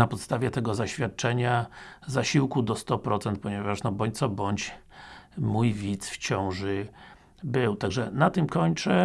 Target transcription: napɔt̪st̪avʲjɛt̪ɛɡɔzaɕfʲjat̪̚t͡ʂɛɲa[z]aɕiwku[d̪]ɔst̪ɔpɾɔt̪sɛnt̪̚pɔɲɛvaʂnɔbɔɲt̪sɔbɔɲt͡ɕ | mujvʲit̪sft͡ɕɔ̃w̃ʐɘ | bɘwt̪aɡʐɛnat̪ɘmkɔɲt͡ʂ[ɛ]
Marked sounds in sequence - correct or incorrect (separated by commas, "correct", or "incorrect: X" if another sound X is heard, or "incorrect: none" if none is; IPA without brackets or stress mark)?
correct, correct, correct